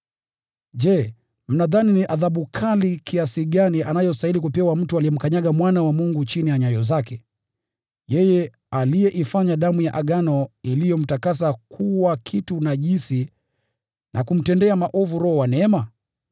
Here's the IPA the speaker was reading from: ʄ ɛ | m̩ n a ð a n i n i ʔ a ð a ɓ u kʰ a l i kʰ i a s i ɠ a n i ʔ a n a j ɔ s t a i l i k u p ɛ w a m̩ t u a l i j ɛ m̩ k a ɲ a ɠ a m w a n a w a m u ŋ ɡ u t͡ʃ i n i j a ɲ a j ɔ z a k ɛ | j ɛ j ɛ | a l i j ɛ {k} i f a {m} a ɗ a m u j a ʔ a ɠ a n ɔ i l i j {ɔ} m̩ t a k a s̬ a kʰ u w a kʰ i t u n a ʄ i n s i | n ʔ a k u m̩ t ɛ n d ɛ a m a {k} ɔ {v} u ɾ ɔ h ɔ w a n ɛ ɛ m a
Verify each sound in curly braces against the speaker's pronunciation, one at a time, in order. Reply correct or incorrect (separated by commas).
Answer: incorrect, incorrect, correct, incorrect, correct